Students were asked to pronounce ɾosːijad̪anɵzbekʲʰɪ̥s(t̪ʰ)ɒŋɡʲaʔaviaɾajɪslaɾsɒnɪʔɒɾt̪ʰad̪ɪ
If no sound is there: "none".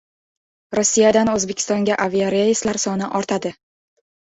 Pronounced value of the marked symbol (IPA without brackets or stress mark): t̪